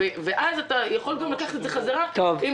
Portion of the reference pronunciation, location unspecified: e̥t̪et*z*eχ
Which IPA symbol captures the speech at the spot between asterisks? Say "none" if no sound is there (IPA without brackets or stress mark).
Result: z